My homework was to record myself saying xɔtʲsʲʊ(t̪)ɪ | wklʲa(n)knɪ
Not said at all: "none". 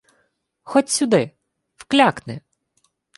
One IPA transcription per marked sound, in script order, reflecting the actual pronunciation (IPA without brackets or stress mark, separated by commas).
d̪, none